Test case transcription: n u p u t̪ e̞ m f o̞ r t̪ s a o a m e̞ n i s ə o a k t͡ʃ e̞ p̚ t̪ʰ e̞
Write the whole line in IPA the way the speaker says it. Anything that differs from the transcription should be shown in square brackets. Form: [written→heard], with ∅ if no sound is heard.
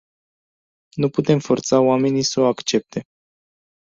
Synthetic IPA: n u p u t̪ e̞ m f o̞ r t̪ s a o a m e̞ n i s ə o a k t͡ʃ e̞ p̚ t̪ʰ e̞